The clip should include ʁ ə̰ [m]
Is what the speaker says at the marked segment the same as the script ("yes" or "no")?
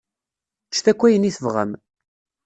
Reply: yes